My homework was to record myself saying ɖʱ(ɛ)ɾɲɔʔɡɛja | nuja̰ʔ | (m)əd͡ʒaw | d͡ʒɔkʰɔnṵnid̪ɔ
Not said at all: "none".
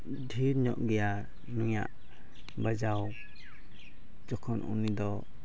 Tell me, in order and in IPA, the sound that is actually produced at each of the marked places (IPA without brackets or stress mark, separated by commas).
i, b